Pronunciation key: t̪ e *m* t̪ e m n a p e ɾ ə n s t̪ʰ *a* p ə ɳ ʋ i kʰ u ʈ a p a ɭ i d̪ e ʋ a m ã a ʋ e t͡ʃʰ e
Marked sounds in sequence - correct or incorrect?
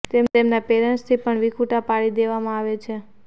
correct, incorrect: i

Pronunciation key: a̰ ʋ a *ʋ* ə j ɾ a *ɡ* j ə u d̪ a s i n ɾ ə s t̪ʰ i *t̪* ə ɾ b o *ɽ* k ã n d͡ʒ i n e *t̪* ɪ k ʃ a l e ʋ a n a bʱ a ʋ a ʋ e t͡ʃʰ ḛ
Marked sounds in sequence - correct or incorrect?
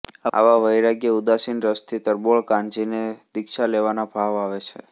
correct, correct, correct, incorrect: ɭ, incorrect: d̪

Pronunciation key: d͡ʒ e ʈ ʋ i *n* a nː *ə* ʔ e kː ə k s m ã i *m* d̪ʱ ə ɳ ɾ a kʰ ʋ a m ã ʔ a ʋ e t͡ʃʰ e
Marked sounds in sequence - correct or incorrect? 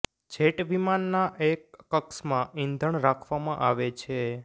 incorrect: m, incorrect: a, incorrect: n

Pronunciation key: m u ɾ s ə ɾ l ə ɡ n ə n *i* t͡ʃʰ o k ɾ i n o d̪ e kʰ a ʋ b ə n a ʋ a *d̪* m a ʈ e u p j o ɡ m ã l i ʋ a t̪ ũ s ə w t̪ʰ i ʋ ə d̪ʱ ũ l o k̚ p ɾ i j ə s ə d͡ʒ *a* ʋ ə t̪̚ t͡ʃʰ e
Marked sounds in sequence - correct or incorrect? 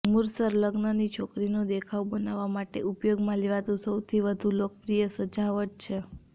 correct, incorrect: none, correct

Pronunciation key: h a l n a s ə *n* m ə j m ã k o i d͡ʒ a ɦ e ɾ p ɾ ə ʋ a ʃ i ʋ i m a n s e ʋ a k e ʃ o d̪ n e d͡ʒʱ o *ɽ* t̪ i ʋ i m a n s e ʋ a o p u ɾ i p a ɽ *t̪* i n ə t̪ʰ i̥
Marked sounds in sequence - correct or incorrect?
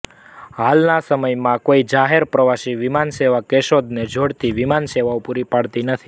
incorrect: none, correct, correct

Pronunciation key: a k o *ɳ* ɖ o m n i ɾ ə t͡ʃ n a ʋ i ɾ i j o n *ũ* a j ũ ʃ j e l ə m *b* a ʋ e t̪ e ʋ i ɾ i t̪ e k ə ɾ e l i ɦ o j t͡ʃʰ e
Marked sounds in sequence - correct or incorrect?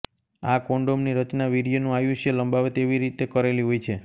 correct, correct, correct

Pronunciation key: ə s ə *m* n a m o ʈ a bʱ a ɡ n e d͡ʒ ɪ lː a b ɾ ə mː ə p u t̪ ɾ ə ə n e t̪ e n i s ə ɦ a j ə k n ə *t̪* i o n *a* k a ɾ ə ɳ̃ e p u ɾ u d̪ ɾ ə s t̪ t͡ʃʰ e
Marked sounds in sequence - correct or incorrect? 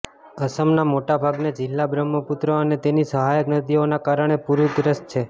correct, incorrect: d̪, correct

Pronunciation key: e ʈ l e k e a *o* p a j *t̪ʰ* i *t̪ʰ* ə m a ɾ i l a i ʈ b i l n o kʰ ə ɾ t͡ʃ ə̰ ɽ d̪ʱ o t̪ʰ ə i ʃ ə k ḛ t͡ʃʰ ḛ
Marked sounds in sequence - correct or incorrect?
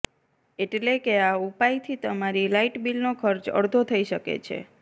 incorrect: u, correct, incorrect: t̪

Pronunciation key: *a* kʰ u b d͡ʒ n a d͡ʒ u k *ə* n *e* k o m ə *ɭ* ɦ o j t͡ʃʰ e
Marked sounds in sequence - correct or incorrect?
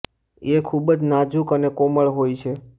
incorrect: e, correct, correct, correct

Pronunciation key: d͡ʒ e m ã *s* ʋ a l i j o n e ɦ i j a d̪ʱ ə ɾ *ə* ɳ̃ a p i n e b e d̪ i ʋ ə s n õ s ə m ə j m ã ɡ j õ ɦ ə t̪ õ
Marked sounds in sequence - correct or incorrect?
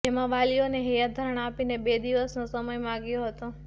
incorrect: none, correct

